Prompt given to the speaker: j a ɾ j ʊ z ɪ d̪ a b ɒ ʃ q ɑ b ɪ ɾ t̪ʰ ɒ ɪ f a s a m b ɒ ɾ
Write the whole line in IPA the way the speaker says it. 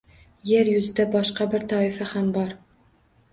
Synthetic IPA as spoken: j e ɾ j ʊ z ɪ d̪ a b ɒ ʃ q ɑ b ɪ ɾ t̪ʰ ɒ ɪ f a h a m b ɒ ɾ

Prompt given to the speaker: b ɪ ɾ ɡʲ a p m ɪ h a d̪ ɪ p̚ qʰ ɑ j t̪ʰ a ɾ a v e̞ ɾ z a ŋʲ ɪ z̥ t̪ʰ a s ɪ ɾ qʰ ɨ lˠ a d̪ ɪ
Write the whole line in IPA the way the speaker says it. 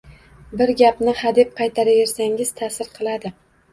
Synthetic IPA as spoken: b ɪ ɾ ɡʲ a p n ɪ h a d̪ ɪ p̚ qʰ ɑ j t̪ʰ a ɾ a v e̞ ɾ s a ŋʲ ɪ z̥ t̪ʰ a s ɪ ɾ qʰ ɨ lˠ a d̪ ɪ

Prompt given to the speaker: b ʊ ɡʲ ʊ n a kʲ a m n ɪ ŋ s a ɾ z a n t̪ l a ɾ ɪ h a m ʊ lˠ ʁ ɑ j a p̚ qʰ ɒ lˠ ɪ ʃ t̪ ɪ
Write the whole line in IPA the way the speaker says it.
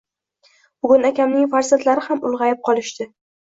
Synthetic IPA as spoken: b ʊ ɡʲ ʊ n a kʲ a m n ɪ ŋ f a ɾ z a n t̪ l a ɾ ɪ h a m ʊ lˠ ʁ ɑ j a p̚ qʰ ɒ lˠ ɪ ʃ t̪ ɪ

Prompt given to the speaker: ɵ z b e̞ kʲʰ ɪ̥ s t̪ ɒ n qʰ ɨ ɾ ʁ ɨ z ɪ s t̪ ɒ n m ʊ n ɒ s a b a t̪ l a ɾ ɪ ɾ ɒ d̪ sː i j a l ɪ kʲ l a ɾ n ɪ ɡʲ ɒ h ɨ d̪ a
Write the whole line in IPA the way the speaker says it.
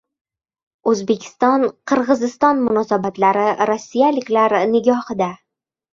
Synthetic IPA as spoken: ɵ z b e̞ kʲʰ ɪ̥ s t̪ ɒ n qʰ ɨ ɾ ʁ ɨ z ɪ s t̪ ɒ n m ʊ n ɒ s a b a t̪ l a ɾ ɪ ɾ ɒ sː i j a l ɪ kʲ l a ɾ n ɪ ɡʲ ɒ h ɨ d̪ a

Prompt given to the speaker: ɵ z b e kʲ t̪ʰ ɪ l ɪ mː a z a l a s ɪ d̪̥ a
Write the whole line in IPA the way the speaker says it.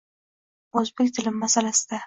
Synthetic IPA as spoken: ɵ z b e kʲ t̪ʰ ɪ l ɪ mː a s a l a s ɪ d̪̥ a

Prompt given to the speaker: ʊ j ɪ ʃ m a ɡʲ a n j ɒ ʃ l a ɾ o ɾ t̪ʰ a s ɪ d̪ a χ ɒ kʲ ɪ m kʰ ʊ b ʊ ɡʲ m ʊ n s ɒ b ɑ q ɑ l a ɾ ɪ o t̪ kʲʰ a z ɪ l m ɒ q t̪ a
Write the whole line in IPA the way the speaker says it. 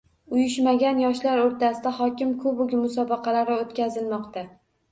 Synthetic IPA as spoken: ʊ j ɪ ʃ m a ɡʲ a n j ɒ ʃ l a ɾ o ɾ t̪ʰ a s ɪ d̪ a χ ɒ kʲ ɪ m kʰ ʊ b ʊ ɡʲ m ʊ s ɒ b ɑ q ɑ l a ɾ ɪ o t̪ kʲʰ a z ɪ l m ɒ q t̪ a

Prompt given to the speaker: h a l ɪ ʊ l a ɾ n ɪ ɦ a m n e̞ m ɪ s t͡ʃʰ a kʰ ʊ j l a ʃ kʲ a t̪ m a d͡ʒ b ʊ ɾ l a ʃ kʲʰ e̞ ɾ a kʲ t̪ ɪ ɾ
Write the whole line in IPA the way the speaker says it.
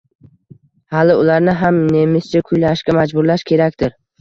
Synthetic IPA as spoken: h a l ɪ ʊ l a ɾ n ɪ ɦ a m n e̞ m ɪ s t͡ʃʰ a kʰ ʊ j l a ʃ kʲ a m a d͡ʒ b ʊ ɾ l a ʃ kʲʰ e̞ ɾ a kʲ t̪ ɪ ɾ

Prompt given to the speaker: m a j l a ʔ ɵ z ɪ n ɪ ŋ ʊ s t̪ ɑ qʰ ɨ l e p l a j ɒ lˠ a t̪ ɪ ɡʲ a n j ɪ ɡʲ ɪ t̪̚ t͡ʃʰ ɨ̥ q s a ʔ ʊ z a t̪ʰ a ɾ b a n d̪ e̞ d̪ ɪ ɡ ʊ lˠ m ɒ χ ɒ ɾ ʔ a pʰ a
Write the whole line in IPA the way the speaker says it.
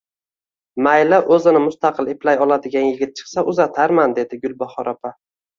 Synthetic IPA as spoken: m a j l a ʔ ɵ z ɪ n ɪ m ʊ s t̪ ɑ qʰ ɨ l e p l a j ɒ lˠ a d̪ ɪ ɡʲ a n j ɪ ɡʲ ɪ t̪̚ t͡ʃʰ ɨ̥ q s a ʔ ʊ z a t̪ʰ a ɾ m a n d̪ e̞ d̪ ɪ ɡ ʊ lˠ b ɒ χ ɒ ɾ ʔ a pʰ a

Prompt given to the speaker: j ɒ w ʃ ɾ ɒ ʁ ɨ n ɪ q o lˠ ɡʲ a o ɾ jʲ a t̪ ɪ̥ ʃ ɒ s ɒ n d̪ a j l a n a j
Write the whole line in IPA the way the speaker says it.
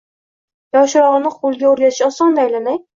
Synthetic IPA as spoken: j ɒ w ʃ ɾ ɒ ʁ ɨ n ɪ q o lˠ ɡʲ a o ɾ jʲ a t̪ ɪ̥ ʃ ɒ s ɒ n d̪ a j l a n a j

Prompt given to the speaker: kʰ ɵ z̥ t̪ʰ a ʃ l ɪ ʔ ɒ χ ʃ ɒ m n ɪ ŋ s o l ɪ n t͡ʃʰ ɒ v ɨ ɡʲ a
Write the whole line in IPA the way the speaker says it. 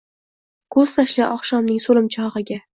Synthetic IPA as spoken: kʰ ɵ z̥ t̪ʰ a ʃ l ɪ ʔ ɒ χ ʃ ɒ m n ɪ ŋ s o l ɪ m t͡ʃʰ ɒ ʁ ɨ ɡʲ a

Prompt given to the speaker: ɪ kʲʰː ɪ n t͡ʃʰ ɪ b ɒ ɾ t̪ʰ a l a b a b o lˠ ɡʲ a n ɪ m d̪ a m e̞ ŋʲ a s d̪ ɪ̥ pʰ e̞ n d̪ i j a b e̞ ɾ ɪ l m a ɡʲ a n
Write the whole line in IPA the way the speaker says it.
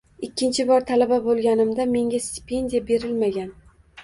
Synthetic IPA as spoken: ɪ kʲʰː ɪ n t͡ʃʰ ɪ b ɒ ɾ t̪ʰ a l a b a b o lˠ ɡʲ a n ɪ m d̪ a m e̞ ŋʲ a s t̪ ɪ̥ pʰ e̞ n d̪ i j a b e̞ ɾ ɪ l m a ɡʲ a n

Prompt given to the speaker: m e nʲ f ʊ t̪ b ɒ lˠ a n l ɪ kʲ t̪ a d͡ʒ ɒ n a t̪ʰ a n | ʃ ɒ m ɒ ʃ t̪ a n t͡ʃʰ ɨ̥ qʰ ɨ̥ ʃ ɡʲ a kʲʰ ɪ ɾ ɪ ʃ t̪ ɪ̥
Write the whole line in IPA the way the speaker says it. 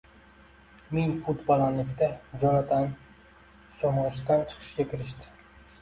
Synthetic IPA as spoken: m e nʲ f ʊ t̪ b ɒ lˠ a n l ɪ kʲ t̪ a d͡ʒ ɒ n a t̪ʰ a n | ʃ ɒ m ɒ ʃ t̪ a n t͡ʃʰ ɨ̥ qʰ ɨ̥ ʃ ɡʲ a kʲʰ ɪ ɾ ɪ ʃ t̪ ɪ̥

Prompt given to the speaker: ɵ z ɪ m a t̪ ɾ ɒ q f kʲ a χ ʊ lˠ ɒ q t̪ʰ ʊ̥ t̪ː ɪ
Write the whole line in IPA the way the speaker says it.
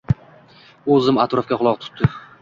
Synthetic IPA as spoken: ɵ z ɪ m a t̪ ɾ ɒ f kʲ a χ ʊ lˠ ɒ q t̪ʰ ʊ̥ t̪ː ɪ

